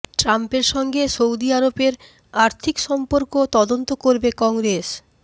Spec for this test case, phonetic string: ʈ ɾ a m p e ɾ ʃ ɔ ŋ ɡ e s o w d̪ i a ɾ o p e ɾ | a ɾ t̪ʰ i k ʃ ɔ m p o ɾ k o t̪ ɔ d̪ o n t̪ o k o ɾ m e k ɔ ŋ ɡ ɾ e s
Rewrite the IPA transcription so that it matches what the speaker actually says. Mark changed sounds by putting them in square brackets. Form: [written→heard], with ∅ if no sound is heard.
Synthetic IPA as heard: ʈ ɾ a m p e ɾ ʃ ɔ ŋ ɡ e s o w d̪ i a ɾ o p e ɾ | a ɾ t̪ʰ i k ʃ ɔ m p o ɾ k o t̪ ɔ d̪ o n t̪ o k o ɾ [m→b] e k ɔ ŋ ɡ ɾ e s